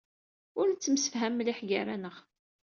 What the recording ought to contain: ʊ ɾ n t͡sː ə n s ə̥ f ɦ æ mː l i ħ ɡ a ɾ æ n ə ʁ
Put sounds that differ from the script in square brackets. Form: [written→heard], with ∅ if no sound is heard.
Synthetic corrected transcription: ʊ ɾ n t͡sː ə [n→m] s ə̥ f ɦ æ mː l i ħ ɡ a ɾ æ n ə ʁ